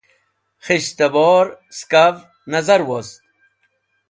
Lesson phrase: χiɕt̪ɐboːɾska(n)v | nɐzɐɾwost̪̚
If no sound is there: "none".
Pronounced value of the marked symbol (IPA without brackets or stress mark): none